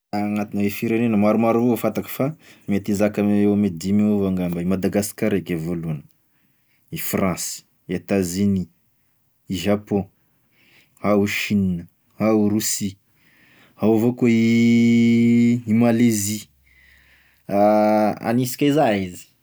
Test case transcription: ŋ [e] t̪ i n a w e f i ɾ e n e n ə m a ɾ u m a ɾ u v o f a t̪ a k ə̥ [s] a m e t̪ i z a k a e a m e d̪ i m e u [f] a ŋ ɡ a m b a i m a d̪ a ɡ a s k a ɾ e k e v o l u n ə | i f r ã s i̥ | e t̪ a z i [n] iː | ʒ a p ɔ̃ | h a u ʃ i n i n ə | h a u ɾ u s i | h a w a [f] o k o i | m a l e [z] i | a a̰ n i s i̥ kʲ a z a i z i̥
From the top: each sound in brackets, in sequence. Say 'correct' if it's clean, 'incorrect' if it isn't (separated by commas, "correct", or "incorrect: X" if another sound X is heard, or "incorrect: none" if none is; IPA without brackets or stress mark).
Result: incorrect: a, incorrect: f, incorrect: v, correct, incorrect: v, correct